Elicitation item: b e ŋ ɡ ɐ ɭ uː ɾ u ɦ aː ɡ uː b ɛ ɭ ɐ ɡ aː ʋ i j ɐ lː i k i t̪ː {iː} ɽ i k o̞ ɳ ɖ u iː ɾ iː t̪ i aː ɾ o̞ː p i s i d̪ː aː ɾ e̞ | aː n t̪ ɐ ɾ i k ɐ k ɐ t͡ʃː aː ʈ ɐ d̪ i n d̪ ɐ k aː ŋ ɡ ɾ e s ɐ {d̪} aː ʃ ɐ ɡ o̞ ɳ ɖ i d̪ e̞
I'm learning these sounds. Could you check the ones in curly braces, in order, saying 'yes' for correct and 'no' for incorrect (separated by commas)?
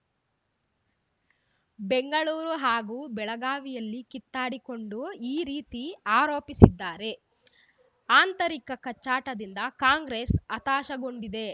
no, no